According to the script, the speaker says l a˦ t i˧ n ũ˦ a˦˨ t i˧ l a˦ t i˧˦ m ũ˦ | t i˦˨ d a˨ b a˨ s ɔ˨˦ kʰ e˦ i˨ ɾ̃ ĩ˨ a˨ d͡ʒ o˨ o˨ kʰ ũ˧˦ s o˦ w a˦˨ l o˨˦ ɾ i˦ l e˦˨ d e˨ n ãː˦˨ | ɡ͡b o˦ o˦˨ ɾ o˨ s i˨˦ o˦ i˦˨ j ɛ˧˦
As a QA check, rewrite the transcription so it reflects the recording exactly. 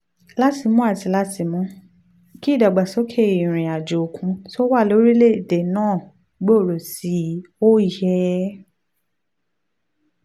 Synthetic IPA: l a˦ t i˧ m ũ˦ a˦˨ t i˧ l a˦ t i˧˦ m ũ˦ | k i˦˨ d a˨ ɡ͡b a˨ s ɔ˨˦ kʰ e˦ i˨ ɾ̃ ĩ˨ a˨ d͡ʒ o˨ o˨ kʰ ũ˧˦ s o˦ w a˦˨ l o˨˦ ɾ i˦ l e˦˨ d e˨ n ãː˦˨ | ɡ͡b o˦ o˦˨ ɾ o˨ s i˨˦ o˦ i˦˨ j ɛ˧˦

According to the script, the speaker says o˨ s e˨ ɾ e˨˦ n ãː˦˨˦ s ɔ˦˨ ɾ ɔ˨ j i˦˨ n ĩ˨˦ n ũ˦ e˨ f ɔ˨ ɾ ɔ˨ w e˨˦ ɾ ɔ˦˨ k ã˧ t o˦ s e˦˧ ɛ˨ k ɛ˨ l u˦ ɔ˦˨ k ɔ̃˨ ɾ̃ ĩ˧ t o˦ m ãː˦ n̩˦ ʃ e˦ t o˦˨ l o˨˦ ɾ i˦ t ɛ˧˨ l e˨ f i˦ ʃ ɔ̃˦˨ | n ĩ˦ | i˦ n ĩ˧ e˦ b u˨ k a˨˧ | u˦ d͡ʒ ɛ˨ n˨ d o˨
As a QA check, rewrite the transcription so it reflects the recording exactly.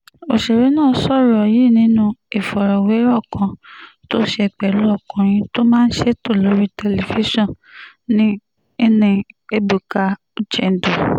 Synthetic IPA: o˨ ʃ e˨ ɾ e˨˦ n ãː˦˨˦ s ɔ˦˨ ɾ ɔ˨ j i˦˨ n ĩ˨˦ n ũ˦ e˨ f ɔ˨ ɾ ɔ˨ w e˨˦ ɾ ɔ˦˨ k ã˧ t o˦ ʃ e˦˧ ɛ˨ k͡p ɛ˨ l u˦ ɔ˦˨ k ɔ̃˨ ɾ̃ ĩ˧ t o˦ m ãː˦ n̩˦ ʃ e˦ t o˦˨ l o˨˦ ɾ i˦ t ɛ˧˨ l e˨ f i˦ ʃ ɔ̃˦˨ | n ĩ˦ | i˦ n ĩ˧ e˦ b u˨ k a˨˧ | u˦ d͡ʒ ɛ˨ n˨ d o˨

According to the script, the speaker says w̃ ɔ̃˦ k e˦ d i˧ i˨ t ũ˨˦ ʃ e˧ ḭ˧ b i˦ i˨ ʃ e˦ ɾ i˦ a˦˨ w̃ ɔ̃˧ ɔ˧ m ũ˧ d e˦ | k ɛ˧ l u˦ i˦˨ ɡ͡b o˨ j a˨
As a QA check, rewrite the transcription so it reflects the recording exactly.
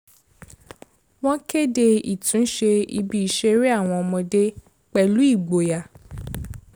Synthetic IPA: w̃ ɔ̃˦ k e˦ d e˧ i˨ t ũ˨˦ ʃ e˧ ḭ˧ b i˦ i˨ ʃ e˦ ɾ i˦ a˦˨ w̃ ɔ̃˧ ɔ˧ m ɔ̃˧ d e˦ | k͡p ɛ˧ l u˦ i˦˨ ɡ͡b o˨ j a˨

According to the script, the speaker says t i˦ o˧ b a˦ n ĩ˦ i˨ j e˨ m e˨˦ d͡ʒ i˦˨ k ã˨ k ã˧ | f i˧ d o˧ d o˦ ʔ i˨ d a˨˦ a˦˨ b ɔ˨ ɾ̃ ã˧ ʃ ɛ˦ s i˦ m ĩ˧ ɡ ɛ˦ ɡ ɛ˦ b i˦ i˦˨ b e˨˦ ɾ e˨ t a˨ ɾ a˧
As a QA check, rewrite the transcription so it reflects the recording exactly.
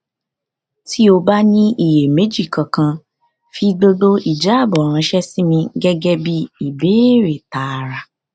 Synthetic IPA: t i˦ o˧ b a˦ n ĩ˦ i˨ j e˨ m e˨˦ d͡ʒ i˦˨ k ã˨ k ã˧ | f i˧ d o˧ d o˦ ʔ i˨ d͡ʒ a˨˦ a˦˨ b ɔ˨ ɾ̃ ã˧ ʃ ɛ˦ s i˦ m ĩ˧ ɡ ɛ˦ ɡ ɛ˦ b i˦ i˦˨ b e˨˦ ɾ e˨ t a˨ ɾ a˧

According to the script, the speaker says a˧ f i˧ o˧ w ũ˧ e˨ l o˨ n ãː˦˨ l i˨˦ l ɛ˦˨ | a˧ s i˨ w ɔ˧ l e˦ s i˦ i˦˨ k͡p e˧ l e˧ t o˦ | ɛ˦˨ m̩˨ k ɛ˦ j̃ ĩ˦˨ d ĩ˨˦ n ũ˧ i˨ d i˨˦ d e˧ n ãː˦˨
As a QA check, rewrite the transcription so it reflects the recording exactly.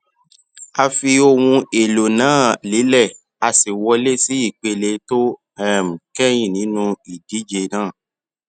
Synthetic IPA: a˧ f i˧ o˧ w ũ˧ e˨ l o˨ n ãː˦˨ l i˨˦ l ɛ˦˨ | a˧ s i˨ w ɔ˧ l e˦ s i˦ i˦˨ k͡p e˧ l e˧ t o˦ | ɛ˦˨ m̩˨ k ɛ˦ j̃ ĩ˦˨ n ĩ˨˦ n ũ˧ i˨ d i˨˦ d͡ʒ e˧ n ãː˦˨

